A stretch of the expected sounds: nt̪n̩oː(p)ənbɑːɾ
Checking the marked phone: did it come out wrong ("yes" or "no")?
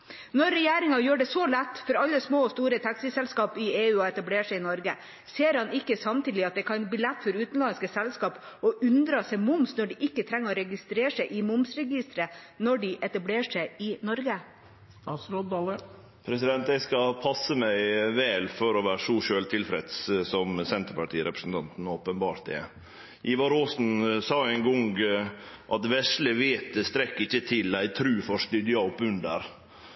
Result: no